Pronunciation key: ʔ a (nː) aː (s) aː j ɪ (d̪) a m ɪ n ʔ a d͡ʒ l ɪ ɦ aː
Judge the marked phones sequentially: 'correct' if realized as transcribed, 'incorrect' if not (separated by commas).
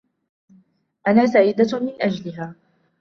incorrect, correct, correct